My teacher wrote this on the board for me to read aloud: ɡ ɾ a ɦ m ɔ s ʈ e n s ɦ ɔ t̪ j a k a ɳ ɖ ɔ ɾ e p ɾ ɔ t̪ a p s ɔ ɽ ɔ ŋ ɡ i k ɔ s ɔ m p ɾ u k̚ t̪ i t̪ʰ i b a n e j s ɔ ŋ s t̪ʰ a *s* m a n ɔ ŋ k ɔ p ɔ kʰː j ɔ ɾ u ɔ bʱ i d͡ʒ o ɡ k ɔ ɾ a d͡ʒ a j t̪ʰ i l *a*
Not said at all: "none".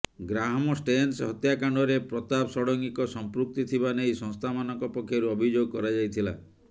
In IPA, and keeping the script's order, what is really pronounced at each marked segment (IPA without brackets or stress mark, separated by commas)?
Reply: none, a